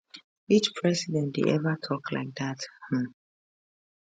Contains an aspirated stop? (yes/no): yes